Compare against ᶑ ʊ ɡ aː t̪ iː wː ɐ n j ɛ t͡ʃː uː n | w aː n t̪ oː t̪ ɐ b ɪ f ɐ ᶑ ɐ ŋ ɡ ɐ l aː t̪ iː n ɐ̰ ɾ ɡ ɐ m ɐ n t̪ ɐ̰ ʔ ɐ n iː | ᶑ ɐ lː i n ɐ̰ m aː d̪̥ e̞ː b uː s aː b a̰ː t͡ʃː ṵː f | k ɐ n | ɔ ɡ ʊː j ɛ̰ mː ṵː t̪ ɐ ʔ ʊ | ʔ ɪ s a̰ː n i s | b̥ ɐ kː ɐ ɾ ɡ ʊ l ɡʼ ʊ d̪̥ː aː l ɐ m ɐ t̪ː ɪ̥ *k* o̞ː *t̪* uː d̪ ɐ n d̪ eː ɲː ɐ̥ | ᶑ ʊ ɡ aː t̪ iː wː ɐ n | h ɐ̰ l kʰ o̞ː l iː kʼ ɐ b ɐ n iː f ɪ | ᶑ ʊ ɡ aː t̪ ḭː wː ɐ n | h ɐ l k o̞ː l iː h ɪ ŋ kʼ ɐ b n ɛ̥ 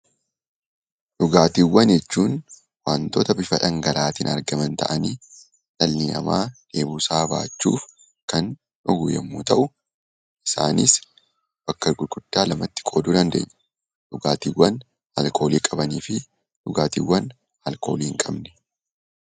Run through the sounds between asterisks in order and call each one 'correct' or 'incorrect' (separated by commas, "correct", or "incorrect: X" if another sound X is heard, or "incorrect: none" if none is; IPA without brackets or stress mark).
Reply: incorrect: kʼ, incorrect: d̪